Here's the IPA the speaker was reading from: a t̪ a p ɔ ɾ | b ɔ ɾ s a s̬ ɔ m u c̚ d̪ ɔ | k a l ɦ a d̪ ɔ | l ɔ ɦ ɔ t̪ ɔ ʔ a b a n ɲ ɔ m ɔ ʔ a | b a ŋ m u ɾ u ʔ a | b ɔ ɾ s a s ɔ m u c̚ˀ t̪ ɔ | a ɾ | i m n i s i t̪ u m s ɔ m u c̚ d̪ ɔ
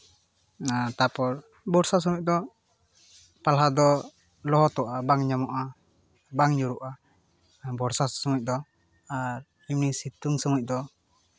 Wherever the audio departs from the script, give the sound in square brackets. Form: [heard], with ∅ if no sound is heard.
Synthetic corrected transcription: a t̪ a p ɔ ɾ | b ɔ ɾ s a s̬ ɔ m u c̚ d̪ ɔ | [p] a l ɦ a d̪ ɔ | l ɔ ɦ ɔ t̪ ɔ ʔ a b a [ŋ] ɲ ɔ m ɔ ʔ a | b a ŋ [ɲ] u ɾ u ʔ a | b ɔ ɾ s a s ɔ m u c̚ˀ [d̪] ɔ | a ɾ | i m n i s i t̪ u [ŋ] s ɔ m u c̚ d̪ ɔ